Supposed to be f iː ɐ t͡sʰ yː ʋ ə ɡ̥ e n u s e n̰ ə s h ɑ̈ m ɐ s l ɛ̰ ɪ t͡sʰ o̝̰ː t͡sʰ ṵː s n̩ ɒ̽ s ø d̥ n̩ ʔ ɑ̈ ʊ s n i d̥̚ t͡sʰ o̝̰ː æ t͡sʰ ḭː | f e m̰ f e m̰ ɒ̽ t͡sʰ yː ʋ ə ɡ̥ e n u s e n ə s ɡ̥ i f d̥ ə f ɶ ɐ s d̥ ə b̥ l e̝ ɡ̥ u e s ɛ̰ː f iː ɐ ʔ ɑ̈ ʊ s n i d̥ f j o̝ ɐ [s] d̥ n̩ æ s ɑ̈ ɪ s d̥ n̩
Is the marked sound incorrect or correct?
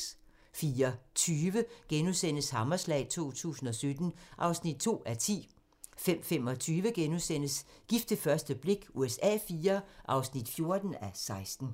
incorrect